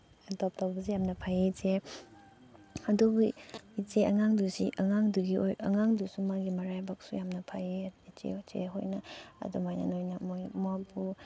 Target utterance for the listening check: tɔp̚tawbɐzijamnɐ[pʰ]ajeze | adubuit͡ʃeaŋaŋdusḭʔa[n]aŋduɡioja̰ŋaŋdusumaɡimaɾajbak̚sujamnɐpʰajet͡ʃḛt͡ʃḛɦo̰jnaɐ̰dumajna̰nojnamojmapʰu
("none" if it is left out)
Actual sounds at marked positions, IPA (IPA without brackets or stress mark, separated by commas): pʰ, ŋ